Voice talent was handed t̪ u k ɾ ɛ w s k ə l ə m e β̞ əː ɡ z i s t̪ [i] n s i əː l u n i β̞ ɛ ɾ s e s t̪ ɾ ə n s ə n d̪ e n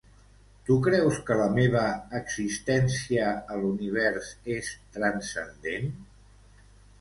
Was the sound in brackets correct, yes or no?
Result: no